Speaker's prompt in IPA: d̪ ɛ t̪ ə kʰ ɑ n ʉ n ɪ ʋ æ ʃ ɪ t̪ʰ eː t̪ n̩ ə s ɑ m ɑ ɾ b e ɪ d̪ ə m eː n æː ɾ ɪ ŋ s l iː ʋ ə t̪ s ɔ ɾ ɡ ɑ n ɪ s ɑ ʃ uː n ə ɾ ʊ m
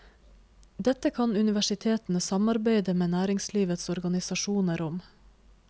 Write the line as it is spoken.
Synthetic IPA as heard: d̪ ɛ t̪ ə kʰ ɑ n ʉ n ɪ ʋ æ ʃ ɪ t̪ʰ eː t̪ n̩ ə s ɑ m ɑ ɾ b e ɪ d̪ ə m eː n æː ɾ ɪ ŋ s l iː ʋ ə t̪ s ɔ ɾ ɡ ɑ n ɪ s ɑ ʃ uː n ə ɾ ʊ m